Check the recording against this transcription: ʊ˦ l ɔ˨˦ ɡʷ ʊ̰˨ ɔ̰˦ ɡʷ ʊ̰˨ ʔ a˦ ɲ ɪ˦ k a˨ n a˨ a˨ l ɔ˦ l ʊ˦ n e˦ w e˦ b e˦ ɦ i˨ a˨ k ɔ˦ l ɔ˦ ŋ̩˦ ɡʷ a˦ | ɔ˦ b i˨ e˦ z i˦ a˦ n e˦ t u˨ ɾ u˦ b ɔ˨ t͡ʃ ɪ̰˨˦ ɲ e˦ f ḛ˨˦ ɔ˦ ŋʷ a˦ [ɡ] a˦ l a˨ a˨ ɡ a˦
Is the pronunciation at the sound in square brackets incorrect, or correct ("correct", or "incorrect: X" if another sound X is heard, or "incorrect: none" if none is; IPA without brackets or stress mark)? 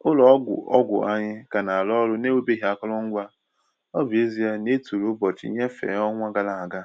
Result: correct